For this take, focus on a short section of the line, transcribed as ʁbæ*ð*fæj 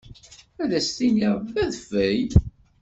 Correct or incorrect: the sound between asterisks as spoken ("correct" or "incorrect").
correct